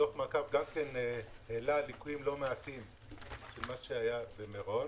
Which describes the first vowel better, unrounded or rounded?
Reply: rounded